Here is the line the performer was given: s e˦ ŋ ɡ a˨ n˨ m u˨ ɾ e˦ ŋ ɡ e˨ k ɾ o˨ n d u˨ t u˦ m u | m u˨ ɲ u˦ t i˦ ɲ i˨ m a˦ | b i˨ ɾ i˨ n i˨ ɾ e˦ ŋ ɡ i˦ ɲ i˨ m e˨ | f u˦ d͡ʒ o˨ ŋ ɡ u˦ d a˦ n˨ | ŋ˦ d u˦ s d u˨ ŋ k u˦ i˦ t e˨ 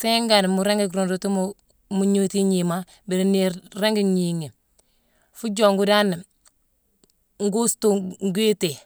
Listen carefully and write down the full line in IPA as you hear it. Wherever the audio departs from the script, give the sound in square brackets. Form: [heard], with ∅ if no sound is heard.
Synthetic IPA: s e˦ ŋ ɡ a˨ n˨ m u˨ ɾ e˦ ŋ ɡ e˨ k ɾ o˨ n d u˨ t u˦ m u | m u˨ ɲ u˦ t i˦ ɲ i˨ m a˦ | b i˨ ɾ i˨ n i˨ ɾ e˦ ŋ ɡ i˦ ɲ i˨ [ŋ] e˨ | f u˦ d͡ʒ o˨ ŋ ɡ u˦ d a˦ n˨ | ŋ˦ [ɡ] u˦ s [t] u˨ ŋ [ɡ] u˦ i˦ t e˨